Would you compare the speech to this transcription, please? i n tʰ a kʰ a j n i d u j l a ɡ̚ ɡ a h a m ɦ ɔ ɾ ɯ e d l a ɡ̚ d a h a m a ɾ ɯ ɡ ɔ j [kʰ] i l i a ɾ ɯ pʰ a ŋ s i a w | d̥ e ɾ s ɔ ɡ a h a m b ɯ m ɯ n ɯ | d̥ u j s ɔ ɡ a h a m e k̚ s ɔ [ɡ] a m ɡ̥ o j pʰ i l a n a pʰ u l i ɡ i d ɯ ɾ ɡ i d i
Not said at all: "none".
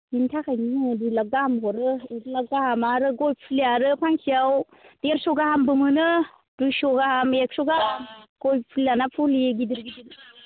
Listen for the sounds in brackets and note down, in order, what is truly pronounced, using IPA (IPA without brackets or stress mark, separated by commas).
pʰ, ɡ